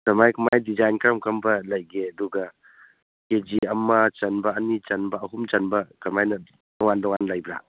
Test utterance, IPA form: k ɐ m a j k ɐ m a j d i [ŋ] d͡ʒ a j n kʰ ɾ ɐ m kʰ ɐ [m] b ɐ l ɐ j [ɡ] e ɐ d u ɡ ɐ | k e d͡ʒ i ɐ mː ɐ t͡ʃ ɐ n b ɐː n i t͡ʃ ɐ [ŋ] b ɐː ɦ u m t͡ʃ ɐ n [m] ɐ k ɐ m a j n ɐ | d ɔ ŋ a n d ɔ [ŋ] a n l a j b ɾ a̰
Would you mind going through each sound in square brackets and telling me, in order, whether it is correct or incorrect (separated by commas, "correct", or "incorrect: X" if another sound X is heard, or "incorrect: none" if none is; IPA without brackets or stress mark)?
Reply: incorrect: none, correct, correct, incorrect: n, incorrect: b, correct